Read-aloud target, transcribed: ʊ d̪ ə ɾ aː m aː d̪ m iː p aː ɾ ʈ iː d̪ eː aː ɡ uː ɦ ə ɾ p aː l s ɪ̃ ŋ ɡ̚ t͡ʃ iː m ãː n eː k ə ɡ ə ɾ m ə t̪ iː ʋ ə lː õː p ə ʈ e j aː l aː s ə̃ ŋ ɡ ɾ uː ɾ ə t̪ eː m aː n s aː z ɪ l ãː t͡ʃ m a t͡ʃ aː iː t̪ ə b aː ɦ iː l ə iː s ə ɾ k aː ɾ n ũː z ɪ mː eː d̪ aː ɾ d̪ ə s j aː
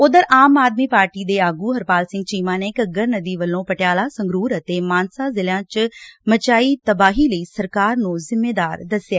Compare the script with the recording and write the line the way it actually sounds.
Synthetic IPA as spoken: ʊ d̪ ə ɾ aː m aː d̪ m iː p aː ɾ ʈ iː d̪ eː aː ɡ uː ɦ ə ɾ p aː l s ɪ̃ ŋ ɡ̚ t͡ʃ iː m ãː n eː k ə ɡ ə ɾ n ə d̪ iː ʋ ə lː õː p ə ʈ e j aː l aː s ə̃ ŋ ɡ ɾ uː ɾ ə t̪ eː m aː n s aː z ɪ l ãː t͡ʃ m ə t͡ʃ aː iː t̪ ə b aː ɦ iː l ə iː s ə ɾ k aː ɾ n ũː z ɪ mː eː d̪ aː ɾ d̪ ə s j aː

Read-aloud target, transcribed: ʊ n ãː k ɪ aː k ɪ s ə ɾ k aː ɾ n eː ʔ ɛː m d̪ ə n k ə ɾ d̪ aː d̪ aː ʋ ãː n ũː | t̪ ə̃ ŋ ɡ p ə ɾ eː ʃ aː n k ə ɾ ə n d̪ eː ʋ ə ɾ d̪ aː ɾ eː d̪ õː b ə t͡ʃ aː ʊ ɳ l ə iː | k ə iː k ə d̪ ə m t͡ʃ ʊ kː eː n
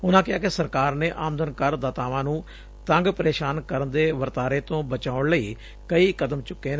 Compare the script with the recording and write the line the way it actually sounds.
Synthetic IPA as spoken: ʊ n ãː k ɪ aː k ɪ s ə ɾ k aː ɾ n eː ʔ aː m d̪ ə n k ə ɾ d̪ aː t̪ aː ʋ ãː n ũː | t̪ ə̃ ŋ ɡ p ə ɾ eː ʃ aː n k ə ɾ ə n d̪ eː ʋ ə ɾ t̪ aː ɾ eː t̪ õː b ə t͡ʃ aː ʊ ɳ l ə iː | k ə iː k ə d̪ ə m t͡ʃ ʊ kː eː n

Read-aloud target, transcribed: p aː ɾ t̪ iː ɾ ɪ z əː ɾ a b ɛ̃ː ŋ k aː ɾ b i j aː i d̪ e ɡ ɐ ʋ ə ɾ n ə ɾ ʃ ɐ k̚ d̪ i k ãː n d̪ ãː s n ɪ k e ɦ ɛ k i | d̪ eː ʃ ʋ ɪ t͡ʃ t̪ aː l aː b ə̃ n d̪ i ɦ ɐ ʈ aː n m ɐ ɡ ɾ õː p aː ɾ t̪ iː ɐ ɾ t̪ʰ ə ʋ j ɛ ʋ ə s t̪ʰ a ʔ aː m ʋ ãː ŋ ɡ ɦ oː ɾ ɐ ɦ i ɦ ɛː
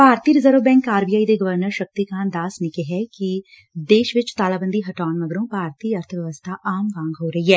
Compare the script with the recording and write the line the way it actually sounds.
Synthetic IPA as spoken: p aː ɾ t̪ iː ɾ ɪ z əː ɾ ə b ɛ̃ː ŋ k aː ɾ b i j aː i d̪ e ɡ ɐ ʋ ə ɾ n ə ɾ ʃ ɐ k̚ t̪ i k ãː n d̪ aː s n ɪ k e ɦ ɛ k i | d̪ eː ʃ ʋ ɪ t͡ʃ t̪ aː l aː b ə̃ n d̪ i ɦ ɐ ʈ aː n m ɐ ɡ ɾ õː p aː ɾ t̪ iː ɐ ɾ t̪ʰ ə ʋ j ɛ ʋ ə s t̪ʰ a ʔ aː m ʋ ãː ŋ ɡ ɦ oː ɾ ɐ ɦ i ɦ ɛː

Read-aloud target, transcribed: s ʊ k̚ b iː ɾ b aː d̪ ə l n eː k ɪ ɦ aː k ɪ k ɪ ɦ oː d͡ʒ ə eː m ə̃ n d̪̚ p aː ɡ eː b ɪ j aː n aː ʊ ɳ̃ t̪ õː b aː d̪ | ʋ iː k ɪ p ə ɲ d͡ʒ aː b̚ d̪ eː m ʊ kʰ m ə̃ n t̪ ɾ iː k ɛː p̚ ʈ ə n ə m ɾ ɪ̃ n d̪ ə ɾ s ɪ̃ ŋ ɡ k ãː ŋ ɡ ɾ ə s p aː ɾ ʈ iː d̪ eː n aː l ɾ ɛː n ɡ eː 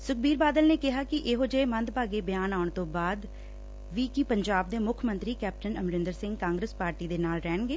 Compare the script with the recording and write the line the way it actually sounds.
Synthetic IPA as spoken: s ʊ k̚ b iː ɾ b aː d̪ ə l n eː k ɪ ɦ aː k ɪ ʔ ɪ ɦ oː d͡ʒ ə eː m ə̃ n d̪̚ p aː ɡ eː b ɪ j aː n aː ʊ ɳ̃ t̪ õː b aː d̪ | ʋ iː k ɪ p ə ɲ d͡ʒ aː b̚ d̪ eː m ʊ kʰ m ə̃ n t̪ ɾ iː k ɛː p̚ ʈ ə n ə m ɾ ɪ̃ n d̪ ə ɾ s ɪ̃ ŋ ɡ k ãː ŋ ɡ ɾ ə s p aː ɾ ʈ iː d̪ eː n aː l ɾ ɛː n ɡ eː

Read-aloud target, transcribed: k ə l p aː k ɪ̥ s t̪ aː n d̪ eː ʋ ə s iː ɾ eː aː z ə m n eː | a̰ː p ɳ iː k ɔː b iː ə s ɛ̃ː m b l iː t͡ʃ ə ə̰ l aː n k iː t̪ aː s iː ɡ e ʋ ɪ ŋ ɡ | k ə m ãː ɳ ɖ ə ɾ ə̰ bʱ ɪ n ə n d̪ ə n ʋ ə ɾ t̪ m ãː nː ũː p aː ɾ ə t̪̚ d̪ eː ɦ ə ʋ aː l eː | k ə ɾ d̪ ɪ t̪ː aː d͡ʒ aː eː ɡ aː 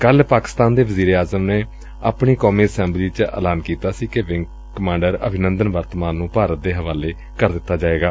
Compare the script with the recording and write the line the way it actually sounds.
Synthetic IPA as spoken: k ə l p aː k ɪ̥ s t̪ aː n d̪ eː ʋ ə z iː ɾ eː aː z ə m n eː | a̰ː p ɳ iː k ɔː m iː ə s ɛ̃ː m b l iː t͡ʃ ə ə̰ l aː n k iː t̪ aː s iː k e ʋ ɪ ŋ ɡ | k ə m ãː ɳ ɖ ə ɾ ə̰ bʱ ɪ n ə n d̪ ə n ʋ ə ɾ t̪ m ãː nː ũː p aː ɾ ə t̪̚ d̪ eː ɦ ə ʋ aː l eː | k ə ɾ d̪ ɪ t̪ː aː d͡ʒ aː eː ɡ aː

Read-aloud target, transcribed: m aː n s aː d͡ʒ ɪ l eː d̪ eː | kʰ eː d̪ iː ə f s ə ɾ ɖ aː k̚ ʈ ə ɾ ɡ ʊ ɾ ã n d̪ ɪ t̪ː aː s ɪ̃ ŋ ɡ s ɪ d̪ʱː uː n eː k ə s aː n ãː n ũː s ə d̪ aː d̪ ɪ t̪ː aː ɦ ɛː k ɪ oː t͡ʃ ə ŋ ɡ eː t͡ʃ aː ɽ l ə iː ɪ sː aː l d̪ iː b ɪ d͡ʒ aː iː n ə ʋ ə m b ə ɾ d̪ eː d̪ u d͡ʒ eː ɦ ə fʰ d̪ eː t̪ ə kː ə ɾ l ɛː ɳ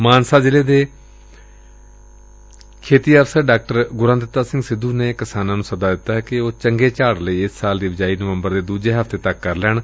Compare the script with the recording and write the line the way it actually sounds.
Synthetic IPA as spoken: m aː n s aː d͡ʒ ɪ l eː d̪ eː | kʰ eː t̪ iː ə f s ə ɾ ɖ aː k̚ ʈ ə ɾ ɡ ʊ ɾ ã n d̪ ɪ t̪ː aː s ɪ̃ ŋ ɡ s ɪ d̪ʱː uː n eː k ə s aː n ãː n ũː s ə d̪ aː d̪ ɪ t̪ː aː ɦ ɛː k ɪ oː t͡ʃ ə ŋ ɡ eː t͡ʃ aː ɽ l ə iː ɪ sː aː l d̪ iː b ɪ d͡ʒ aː iː n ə ʋ ə m b ə ɾ d̪ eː d̪ uː d͡ʒ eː ɦ ə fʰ t̪ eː t̪ ə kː ə ɾ l ɛː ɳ

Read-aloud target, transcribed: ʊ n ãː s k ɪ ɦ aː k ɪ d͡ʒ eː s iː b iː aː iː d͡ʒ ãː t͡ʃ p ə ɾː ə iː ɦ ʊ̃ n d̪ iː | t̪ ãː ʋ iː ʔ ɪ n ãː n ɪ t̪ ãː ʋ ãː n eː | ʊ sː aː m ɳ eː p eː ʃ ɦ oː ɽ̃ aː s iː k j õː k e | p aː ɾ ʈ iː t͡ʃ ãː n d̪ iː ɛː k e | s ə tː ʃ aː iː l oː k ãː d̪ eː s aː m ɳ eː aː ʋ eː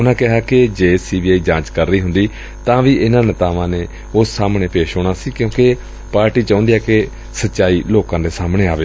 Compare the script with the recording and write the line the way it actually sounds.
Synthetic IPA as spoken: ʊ n ãː k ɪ ɦ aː k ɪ d͡ʒ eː s iː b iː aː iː d͡ʒ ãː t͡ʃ k ə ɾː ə iː ɦ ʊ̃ n d̪ iː | t̪ ãː ʋ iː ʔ ɪ n ãː n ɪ t̪ aː ʋ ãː n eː | ʊ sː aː m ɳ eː p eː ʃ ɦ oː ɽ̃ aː s iː k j õː k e | p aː ɾ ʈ iː t͡ʃ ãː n d̪ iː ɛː k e | s ə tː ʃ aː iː l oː k ãː d̪ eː s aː m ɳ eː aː ʋ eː

